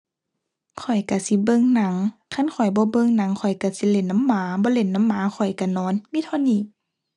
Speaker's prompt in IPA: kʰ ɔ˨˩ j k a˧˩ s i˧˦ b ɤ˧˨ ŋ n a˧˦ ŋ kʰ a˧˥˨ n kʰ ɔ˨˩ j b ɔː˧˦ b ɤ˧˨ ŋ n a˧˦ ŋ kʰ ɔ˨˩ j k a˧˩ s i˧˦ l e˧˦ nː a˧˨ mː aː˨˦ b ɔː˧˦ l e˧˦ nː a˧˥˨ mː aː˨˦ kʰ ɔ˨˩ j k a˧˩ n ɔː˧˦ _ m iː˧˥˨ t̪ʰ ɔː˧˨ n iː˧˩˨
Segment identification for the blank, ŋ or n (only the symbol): n